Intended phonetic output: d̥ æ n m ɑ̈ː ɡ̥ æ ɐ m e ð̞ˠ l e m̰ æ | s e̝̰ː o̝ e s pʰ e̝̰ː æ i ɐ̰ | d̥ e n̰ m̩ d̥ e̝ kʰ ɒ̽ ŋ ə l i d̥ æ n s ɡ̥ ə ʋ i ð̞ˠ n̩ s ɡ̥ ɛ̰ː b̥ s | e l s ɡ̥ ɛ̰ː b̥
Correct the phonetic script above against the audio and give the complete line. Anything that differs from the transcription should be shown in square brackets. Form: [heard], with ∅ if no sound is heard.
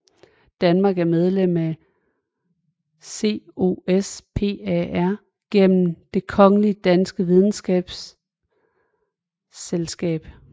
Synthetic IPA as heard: d̥ æ n m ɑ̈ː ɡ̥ æ ɐ m e ð̞ˠ l e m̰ æ | s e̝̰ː o̝ e s pʰ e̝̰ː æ [æ] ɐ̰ | [ɡ̥] e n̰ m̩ d̥ e̝ kʰ ɒ̽ ŋ ə l i d̥ æ n s ɡ̥ ə ʋ i ð̞ˠ n̩ s ɡ̥ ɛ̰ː b̥ s | e l s ɡ̥ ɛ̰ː b̥